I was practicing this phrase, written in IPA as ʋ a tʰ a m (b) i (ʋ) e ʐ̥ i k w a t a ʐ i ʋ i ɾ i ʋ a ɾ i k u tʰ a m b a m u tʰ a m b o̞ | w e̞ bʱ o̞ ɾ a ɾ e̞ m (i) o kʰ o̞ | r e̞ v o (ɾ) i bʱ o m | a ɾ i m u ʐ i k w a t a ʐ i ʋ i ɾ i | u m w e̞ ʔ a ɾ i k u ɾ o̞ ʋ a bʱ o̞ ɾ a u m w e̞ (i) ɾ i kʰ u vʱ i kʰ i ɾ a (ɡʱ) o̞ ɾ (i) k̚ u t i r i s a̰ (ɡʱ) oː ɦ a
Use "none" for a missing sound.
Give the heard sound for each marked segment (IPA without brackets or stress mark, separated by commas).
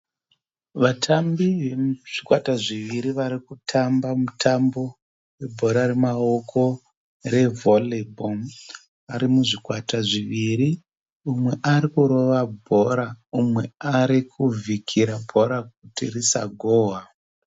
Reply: b, ʋ, a, l, a, bʱ, a, ɡʱ